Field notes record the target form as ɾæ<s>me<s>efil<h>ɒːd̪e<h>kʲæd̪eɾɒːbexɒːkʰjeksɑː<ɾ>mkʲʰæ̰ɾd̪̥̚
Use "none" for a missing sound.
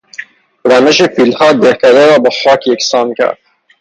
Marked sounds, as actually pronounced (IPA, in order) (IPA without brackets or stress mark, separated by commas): none, ʃ, h, h, none